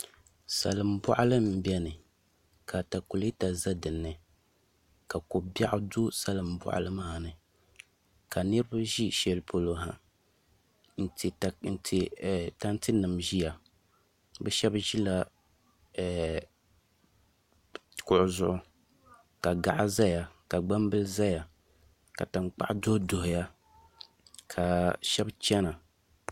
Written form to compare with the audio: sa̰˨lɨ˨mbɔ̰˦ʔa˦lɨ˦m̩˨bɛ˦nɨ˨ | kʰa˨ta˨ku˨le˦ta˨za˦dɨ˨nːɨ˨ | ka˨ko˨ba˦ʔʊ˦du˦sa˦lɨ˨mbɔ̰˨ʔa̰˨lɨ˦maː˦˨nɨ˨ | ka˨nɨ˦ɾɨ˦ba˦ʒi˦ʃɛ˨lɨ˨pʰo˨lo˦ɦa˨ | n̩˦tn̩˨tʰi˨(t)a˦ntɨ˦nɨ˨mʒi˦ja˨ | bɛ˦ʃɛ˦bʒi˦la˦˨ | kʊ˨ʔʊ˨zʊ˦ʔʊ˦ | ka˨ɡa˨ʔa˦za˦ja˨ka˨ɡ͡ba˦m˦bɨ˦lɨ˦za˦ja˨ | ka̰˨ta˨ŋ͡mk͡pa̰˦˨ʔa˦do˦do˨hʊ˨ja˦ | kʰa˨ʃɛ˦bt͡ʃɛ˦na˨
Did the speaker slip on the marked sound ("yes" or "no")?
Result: no